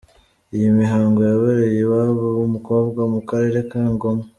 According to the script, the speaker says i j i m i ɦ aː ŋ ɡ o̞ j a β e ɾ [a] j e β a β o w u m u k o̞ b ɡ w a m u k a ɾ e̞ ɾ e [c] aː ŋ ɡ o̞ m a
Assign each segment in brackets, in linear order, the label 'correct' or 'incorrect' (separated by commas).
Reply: incorrect, incorrect